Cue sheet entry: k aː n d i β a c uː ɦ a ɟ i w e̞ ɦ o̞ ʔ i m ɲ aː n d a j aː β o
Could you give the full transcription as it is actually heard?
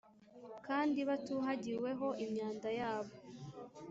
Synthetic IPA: k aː n d i β a t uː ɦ a ɟ i w e̞ ɦ o̞ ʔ i m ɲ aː n d a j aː β o